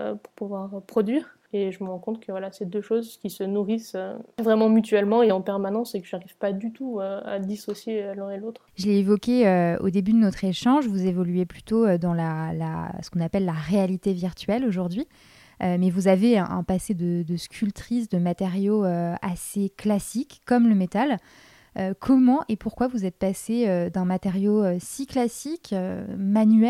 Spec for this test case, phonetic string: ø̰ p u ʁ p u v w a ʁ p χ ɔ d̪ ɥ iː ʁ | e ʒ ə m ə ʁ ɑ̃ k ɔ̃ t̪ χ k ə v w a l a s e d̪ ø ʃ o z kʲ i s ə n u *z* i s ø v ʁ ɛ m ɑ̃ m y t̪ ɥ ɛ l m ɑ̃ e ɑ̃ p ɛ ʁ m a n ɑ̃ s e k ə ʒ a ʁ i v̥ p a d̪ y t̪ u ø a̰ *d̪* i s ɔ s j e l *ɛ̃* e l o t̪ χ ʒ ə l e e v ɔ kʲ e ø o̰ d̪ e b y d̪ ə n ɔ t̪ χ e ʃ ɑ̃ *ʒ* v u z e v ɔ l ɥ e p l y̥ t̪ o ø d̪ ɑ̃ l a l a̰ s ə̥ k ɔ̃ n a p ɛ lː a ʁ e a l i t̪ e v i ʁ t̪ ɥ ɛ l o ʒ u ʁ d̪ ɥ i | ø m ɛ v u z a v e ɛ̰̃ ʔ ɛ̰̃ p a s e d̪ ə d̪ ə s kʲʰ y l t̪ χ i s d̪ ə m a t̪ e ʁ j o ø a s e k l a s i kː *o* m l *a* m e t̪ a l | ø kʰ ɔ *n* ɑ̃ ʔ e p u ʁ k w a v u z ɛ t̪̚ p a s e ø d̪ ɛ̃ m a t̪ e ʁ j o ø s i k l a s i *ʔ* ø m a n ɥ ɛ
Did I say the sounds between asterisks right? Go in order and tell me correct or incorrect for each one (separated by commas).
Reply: incorrect, correct, correct, correct, incorrect, incorrect, incorrect, incorrect